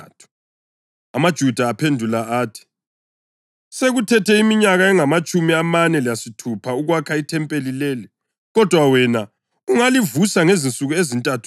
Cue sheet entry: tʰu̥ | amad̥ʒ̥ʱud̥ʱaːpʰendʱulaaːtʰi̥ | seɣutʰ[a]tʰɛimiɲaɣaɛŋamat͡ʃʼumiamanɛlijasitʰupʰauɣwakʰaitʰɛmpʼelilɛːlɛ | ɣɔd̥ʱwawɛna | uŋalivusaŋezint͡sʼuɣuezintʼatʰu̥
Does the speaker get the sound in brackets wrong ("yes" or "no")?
yes